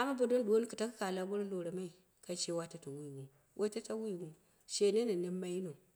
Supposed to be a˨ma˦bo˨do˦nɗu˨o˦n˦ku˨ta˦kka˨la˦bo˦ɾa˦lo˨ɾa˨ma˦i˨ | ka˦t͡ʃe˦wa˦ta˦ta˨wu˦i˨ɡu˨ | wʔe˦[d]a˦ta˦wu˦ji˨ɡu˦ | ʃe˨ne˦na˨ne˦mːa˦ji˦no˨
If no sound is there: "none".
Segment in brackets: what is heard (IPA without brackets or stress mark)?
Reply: t